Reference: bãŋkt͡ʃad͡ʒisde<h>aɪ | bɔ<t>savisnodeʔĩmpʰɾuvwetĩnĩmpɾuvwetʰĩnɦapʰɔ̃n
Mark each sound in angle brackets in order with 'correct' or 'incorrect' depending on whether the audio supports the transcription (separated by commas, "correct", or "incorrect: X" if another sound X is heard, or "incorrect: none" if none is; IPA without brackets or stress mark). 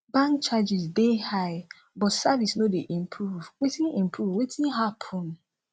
correct, correct